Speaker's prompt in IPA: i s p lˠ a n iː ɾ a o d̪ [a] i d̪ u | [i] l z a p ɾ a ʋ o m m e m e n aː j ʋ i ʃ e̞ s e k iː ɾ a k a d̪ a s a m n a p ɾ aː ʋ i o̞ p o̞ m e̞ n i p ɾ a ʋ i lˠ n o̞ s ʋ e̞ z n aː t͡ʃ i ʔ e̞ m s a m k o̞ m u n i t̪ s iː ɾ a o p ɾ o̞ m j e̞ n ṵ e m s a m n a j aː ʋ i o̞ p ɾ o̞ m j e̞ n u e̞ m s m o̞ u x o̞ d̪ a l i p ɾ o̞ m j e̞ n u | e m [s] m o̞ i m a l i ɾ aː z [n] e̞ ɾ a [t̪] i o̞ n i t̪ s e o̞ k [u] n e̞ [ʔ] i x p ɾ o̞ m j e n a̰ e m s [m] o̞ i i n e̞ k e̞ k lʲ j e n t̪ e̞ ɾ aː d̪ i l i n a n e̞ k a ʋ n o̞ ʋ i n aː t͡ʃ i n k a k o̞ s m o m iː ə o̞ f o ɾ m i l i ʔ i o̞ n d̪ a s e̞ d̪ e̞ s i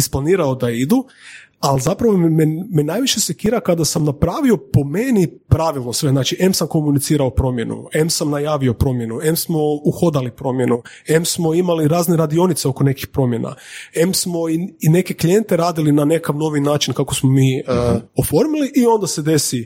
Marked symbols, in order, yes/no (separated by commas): yes, no, yes, yes, no, no, no, yes